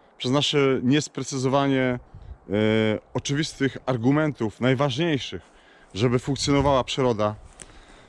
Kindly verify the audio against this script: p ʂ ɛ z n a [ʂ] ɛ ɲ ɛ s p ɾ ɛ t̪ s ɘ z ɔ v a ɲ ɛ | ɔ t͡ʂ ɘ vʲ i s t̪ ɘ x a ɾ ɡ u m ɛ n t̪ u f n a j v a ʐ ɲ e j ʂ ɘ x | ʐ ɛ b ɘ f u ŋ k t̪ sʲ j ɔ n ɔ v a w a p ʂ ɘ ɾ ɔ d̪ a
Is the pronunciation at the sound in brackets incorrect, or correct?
correct